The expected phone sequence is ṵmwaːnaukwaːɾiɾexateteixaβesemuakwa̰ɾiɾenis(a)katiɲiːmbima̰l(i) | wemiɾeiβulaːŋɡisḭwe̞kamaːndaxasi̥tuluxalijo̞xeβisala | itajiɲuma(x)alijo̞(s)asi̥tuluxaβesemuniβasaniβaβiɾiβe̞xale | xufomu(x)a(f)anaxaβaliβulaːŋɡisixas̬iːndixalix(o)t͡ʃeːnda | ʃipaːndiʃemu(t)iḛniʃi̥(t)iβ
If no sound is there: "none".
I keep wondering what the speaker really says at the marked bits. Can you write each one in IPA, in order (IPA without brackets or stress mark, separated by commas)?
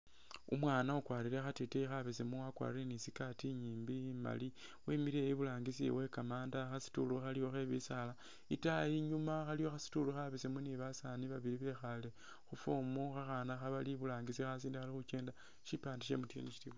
i, i, x, x, x, x, u, t, t